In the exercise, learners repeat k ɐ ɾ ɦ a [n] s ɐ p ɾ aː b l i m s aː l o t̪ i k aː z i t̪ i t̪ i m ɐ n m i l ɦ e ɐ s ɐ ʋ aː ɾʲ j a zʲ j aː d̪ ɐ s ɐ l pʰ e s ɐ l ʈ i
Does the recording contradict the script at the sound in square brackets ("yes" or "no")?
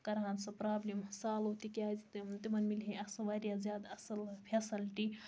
no